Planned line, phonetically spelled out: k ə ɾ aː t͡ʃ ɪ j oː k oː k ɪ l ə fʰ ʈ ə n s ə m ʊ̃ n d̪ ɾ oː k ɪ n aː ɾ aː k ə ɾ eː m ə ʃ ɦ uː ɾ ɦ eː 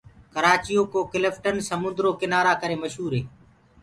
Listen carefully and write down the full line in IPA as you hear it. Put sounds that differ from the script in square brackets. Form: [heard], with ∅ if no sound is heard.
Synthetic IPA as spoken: k ə ɾ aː t͡ʃ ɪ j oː k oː k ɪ l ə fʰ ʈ ə n s ə m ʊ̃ n d̪ ɾ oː k ɪ n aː ɾ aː k ə ɾ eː m ə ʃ ɦ uː ɾ ɦ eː

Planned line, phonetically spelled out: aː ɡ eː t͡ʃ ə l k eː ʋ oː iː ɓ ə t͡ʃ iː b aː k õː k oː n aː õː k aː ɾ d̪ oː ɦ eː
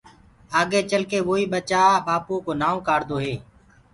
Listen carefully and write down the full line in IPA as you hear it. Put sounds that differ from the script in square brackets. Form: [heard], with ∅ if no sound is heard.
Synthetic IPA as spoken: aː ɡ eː t͡ʃ ə l k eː ʋ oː iː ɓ ə t͡ʃ [aː] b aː [p] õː k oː n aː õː k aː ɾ d̪ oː ɦ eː

